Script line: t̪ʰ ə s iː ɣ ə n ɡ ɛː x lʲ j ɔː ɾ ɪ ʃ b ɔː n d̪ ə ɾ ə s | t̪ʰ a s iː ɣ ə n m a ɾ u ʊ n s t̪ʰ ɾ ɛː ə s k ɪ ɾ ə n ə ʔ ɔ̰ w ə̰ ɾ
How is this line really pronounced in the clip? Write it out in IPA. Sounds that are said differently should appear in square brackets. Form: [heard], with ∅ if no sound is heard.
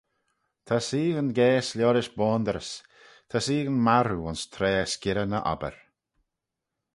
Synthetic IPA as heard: t̪ʰ [a] s iː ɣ ə n ɡ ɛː [s] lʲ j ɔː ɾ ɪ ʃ b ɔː n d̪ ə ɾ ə s | t̪ʰ a s iː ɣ ə n m a ɾ u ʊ n s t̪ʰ ɾ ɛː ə s k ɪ ɾ ə n ə ʔ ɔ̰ [b] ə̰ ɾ